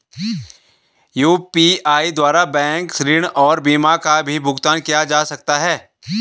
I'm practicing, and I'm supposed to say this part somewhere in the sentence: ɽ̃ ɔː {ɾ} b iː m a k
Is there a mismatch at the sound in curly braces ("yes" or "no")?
no